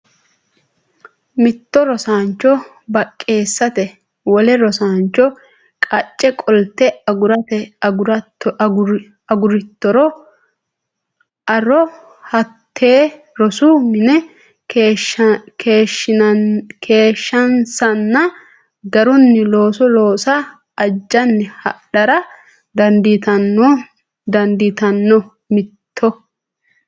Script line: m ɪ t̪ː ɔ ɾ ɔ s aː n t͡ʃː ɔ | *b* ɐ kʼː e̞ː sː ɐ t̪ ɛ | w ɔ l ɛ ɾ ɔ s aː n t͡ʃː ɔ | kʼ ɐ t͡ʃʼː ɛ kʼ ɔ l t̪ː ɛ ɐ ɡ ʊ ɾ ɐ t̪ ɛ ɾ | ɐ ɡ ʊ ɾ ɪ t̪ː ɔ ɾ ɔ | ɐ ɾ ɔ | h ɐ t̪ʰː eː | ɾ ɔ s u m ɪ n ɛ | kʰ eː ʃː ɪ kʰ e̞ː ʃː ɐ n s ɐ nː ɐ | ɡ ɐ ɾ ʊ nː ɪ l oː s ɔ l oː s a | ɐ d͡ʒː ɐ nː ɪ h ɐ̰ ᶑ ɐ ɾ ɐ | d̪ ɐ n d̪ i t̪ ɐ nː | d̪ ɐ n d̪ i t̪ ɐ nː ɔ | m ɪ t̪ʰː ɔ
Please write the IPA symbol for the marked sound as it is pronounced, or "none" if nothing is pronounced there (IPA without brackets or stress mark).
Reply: b